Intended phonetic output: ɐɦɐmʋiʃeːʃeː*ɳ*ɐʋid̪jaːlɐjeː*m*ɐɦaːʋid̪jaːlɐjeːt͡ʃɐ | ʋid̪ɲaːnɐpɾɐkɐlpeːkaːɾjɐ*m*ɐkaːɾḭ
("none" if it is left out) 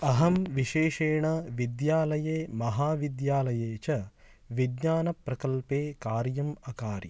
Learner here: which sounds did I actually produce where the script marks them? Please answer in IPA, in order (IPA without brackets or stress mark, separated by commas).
ɳ, m, m